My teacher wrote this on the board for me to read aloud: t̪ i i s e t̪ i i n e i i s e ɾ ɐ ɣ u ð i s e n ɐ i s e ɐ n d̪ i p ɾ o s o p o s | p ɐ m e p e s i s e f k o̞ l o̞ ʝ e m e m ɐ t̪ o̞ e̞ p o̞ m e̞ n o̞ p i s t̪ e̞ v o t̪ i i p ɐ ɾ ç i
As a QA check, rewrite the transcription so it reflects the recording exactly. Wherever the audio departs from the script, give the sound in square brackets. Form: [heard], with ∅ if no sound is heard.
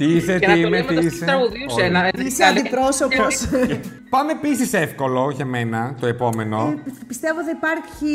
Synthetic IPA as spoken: t̪ i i s e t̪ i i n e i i s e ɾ ɐ ɣ u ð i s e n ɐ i s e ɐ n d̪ i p ɾ o s o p o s | p ɐ m e p [i] s i s e f k o̞ l o̞ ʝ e m e [n] ɐ t̪ o̞ e̞ p o̞ m e̞ n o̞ p i s t̪ e̞ v o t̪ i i p ɐ ɾ ç i